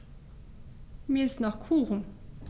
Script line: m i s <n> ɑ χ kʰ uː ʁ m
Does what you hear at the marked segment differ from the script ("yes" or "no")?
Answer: no